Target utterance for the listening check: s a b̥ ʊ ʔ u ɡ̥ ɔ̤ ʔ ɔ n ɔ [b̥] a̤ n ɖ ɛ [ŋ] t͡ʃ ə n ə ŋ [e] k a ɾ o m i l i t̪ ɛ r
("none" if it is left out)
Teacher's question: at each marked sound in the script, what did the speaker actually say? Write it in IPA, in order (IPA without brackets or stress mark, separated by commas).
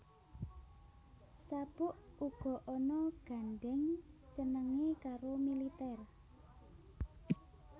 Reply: ɡ̥, ŋ, e